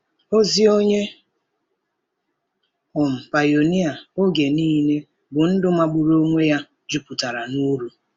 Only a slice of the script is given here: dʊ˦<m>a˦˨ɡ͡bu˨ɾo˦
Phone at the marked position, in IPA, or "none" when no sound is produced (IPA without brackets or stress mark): m